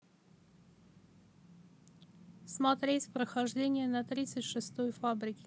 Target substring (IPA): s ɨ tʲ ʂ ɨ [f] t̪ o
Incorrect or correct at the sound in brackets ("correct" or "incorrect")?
incorrect